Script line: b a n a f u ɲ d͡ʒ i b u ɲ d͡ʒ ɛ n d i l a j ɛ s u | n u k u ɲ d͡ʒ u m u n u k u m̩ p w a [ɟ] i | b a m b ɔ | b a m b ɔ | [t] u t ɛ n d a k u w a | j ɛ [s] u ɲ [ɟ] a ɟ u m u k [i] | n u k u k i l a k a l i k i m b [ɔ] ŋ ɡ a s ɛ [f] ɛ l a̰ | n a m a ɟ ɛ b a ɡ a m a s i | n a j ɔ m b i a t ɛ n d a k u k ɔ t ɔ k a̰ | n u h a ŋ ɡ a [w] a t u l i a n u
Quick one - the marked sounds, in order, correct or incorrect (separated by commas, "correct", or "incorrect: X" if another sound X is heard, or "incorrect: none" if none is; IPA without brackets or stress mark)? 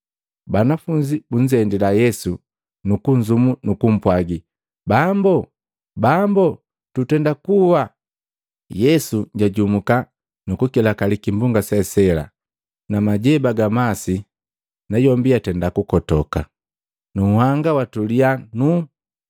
incorrect: ɡ, correct, correct, correct, incorrect: a, incorrect: u, incorrect: s, correct